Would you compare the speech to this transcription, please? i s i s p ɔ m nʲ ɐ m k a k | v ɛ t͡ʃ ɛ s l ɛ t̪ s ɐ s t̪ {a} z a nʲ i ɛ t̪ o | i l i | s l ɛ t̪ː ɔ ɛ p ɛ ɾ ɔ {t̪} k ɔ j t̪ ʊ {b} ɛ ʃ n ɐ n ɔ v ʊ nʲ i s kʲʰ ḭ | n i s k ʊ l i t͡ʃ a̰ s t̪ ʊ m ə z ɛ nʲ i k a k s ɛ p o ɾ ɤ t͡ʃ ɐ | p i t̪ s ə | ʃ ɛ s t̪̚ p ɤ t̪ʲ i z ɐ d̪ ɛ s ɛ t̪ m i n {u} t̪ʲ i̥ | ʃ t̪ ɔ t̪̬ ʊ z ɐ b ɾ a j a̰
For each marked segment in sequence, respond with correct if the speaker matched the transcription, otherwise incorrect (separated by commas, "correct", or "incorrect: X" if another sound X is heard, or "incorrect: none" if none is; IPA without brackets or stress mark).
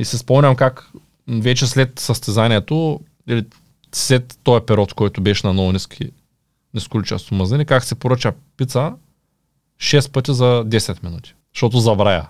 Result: incorrect: ɛ, correct, correct, correct